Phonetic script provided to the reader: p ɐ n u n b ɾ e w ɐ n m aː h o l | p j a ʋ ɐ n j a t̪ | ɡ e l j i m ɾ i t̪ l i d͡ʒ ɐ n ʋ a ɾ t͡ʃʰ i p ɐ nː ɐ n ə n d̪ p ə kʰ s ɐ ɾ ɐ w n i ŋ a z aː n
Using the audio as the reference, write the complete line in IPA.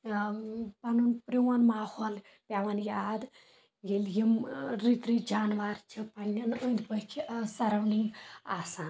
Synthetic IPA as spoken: p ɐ n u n p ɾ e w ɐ n m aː h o l | p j a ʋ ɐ n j a d̪ | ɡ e l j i m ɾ i t̪ ɾ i d͡ʒ a n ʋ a ɾ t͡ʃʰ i p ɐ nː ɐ n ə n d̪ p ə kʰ s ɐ ɾ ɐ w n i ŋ a s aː n